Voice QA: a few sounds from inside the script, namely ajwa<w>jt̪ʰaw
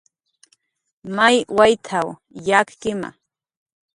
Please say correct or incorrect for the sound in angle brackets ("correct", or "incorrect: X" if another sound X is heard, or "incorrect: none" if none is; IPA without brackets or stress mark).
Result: incorrect: none